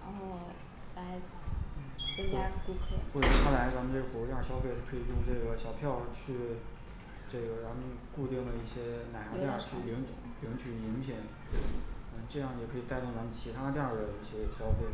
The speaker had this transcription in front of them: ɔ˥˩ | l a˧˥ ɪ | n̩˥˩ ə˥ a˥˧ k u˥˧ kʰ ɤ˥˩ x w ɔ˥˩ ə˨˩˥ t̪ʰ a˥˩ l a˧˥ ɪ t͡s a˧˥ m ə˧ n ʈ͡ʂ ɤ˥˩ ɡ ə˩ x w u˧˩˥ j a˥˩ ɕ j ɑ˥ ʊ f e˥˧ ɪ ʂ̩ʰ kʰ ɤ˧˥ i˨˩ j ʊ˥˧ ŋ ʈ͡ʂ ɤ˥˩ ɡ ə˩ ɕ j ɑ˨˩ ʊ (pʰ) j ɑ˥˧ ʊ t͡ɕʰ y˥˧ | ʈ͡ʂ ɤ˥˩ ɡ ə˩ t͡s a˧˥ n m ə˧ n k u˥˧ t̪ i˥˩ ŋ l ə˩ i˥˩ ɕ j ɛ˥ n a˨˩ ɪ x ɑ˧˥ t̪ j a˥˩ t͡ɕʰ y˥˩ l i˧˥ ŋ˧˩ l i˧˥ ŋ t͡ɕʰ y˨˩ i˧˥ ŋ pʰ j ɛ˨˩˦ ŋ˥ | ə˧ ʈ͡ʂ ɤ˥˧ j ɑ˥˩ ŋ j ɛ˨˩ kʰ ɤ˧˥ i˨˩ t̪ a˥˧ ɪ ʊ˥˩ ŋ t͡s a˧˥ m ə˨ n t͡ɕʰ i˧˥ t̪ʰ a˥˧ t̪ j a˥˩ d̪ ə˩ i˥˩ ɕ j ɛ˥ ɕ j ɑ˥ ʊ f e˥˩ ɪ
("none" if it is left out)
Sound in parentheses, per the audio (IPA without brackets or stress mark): pʰ